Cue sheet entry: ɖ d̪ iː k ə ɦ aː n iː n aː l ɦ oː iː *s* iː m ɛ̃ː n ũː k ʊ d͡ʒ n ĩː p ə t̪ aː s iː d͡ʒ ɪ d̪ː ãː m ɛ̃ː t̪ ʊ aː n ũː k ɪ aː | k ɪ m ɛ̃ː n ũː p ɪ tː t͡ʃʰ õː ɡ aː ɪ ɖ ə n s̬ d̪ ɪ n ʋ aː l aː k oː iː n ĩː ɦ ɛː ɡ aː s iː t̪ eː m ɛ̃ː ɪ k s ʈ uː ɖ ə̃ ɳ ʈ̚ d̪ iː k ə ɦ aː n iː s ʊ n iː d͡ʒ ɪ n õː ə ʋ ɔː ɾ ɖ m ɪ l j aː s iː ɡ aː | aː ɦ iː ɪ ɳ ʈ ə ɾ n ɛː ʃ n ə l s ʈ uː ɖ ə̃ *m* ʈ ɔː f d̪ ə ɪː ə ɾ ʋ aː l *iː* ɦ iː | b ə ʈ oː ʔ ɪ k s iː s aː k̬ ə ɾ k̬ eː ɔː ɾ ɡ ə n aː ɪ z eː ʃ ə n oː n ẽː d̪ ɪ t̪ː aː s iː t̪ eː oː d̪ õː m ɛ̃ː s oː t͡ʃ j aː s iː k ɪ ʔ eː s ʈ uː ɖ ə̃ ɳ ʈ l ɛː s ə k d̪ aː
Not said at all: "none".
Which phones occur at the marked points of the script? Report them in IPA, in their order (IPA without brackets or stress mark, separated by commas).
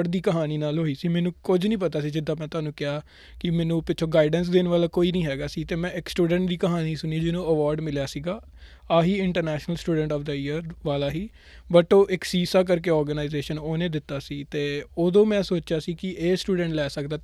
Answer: s, ɳ, aː